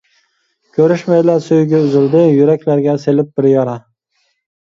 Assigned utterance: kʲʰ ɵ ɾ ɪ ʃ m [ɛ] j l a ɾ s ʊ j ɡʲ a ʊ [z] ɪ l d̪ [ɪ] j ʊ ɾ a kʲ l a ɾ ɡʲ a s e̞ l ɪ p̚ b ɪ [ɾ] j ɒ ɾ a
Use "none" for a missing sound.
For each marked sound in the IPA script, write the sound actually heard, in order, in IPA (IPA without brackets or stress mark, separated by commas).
a, z, ɪ, ɾ